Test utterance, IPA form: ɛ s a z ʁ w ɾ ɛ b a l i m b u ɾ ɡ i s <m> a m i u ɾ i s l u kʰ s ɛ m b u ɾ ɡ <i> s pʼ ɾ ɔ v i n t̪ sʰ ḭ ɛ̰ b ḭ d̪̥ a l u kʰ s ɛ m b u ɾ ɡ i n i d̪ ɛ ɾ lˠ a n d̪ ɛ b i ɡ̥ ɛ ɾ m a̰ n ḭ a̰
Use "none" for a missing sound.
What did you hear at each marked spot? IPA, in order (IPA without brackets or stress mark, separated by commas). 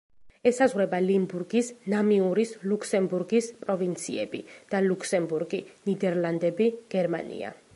n, i